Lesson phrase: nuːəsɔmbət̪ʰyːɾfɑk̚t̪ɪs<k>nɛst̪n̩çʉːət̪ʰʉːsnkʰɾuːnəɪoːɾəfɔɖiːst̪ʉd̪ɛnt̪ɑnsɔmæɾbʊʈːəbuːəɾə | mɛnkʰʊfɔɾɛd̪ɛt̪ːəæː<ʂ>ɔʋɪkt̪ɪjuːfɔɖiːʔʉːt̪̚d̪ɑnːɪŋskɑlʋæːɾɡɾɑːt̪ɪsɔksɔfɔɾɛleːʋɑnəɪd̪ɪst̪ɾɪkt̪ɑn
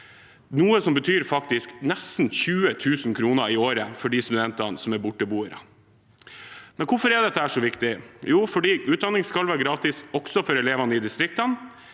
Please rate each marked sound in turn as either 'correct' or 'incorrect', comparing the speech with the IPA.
correct, correct

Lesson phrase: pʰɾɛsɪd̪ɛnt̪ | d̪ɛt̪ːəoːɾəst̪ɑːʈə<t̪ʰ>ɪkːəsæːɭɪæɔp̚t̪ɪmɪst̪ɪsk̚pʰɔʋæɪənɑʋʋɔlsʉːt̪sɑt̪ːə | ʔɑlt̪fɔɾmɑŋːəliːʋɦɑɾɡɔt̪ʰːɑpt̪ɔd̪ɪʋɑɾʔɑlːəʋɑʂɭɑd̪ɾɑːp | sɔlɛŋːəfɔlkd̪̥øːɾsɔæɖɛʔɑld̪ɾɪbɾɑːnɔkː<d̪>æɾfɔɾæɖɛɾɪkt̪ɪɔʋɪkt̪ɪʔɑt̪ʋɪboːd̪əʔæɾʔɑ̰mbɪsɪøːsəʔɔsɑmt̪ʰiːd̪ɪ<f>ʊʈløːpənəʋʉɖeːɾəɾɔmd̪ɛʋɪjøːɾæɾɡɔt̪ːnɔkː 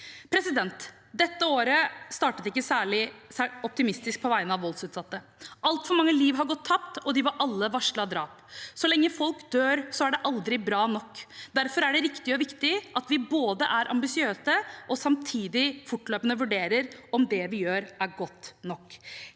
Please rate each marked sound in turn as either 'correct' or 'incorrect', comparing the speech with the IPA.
incorrect, correct, correct

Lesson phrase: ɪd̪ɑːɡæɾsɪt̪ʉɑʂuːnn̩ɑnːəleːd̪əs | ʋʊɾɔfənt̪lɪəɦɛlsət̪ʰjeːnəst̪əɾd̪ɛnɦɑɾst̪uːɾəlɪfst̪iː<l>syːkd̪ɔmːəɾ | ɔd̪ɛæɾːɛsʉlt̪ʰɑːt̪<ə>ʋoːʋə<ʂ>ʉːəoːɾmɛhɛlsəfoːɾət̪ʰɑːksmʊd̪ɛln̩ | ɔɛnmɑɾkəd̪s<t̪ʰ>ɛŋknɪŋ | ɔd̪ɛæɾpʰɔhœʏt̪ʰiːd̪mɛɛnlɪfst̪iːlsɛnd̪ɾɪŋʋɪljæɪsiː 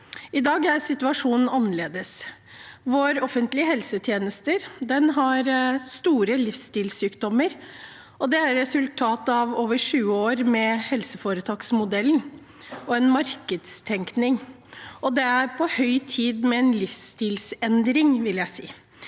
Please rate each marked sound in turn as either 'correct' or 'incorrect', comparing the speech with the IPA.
correct, incorrect, correct, correct

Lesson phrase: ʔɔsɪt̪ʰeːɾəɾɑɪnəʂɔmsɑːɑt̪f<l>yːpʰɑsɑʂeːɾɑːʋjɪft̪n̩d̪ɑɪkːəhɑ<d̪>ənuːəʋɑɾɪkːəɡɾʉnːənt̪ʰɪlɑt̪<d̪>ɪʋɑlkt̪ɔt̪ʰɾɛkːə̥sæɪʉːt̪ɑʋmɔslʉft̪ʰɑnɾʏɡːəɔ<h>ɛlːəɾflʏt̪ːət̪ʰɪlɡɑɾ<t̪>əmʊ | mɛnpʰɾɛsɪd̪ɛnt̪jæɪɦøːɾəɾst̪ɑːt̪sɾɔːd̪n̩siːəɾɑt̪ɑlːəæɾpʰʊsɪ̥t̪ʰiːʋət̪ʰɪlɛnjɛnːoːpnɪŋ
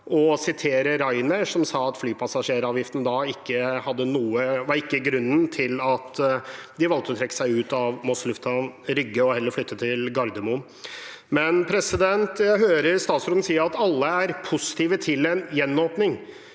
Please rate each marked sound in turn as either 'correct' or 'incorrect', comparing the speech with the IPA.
correct, incorrect, correct, correct, incorrect

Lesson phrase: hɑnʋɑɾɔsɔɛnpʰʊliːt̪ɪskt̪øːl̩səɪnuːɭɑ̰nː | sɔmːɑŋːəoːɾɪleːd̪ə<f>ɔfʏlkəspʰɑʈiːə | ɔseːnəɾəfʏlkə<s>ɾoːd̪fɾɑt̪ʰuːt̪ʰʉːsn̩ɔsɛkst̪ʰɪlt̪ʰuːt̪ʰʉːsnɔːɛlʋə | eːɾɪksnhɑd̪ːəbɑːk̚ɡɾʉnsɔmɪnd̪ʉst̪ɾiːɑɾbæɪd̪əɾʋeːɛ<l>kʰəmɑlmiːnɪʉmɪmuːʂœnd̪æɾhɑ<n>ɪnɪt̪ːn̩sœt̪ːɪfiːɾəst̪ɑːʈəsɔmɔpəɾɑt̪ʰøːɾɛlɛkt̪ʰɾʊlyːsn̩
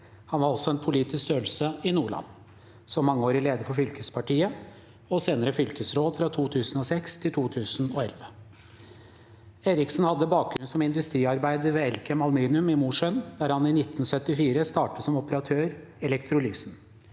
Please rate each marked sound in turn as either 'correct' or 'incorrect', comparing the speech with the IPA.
correct, correct, correct, correct

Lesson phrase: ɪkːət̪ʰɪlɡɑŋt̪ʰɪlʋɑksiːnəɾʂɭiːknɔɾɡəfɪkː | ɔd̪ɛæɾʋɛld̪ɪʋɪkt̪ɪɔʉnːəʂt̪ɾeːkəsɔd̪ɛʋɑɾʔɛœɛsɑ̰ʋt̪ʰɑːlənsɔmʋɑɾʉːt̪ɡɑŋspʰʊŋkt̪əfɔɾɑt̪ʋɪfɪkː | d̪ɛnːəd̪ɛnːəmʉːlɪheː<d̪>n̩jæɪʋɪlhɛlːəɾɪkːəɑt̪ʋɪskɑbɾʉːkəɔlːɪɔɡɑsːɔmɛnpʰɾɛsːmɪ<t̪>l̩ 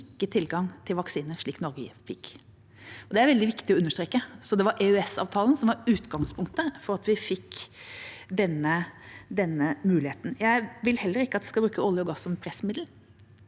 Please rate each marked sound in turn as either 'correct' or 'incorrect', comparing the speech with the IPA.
incorrect, incorrect

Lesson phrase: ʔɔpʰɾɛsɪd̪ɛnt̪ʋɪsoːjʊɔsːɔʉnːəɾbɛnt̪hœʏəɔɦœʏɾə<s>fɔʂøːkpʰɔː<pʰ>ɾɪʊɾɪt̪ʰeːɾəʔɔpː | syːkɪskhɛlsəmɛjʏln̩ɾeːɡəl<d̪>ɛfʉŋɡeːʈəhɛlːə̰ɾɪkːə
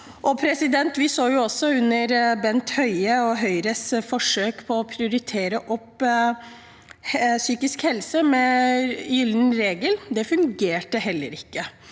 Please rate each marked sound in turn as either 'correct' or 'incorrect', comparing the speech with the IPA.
correct, correct, correct

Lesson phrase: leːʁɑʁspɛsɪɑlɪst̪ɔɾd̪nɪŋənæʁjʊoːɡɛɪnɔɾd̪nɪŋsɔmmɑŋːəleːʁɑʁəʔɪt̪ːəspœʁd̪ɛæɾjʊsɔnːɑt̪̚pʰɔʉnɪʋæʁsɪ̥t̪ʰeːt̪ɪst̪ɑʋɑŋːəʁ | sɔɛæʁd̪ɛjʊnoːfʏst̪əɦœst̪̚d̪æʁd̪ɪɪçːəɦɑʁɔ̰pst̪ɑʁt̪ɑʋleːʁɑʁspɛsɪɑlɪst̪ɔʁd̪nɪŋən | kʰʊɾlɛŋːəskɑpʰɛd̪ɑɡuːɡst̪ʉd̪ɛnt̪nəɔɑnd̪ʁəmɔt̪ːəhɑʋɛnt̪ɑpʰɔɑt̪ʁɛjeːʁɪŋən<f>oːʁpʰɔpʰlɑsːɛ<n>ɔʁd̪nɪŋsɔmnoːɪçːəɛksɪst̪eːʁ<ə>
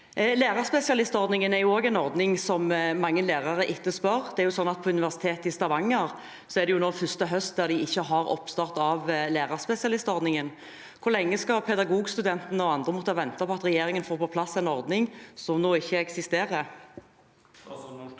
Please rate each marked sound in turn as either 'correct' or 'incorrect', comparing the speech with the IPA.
correct, correct, correct

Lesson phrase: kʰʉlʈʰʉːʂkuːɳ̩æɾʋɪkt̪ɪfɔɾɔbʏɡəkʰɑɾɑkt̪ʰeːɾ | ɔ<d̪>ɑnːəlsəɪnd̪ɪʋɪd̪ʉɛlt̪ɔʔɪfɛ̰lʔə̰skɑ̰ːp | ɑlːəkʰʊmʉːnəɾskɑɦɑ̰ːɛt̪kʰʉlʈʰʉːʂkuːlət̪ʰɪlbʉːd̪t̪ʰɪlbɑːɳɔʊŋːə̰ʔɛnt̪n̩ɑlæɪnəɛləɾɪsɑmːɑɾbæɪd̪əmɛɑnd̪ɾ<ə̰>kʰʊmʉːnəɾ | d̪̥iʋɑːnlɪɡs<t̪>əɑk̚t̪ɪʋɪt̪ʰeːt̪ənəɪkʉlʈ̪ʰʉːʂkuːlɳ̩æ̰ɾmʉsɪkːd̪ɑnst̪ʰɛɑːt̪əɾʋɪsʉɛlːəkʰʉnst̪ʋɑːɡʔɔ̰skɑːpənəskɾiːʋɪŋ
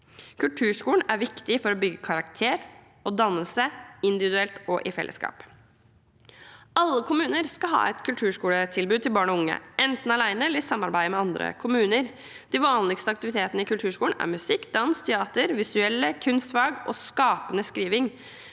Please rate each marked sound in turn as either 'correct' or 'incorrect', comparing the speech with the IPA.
correct, correct, correct

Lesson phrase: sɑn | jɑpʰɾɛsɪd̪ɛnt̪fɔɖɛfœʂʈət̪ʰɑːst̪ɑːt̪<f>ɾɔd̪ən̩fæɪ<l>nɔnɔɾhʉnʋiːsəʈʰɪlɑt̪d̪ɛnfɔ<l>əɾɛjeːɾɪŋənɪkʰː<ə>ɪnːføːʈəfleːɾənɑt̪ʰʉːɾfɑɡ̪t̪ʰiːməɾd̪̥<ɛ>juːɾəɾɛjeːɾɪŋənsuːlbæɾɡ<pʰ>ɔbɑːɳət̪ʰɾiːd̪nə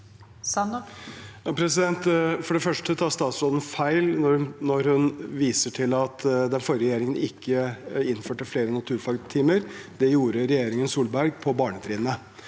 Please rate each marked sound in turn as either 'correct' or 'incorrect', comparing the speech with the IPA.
incorrect, correct, incorrect, correct, correct, correct

